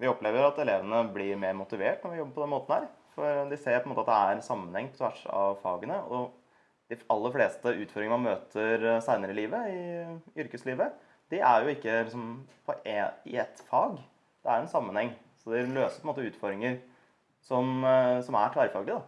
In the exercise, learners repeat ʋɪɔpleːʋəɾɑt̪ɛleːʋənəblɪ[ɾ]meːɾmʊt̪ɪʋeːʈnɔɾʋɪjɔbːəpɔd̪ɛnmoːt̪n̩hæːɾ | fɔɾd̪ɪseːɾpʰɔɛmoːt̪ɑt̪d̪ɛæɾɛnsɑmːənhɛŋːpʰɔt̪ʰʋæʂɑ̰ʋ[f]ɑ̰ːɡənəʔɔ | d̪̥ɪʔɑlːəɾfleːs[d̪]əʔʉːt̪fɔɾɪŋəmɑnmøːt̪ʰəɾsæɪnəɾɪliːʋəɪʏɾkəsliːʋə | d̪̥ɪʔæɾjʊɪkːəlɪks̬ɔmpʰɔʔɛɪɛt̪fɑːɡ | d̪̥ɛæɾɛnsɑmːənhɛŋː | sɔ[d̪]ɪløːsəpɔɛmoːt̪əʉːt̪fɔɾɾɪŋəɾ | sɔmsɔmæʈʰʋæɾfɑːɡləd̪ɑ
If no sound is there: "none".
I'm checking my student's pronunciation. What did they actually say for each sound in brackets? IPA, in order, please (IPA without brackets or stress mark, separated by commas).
ɾ, f, t̪, d̪